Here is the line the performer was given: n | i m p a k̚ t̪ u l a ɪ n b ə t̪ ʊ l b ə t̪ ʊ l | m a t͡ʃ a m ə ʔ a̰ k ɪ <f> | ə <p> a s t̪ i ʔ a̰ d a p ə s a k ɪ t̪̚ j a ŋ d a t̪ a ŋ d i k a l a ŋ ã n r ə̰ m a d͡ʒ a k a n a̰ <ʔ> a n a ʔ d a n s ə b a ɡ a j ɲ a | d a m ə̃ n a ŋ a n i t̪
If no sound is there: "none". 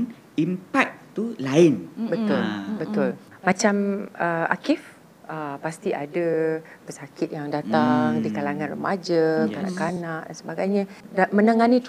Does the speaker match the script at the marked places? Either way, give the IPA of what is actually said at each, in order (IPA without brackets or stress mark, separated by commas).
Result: f, p, k